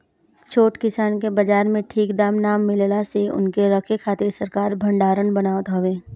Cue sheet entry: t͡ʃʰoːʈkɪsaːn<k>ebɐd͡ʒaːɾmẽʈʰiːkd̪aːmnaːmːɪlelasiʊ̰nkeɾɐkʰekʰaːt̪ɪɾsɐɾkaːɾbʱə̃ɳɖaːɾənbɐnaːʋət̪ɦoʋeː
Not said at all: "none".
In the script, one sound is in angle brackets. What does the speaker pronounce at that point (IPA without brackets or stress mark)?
k